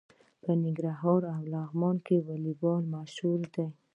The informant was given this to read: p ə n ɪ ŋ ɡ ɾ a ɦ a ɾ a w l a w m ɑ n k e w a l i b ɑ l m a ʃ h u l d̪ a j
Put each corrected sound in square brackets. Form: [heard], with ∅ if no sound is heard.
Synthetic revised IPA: p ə n ɪ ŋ ɡ ɾ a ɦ [ɑ] ɾ a w l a [ɣ] m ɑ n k e w a l i b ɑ l m a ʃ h u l d̪ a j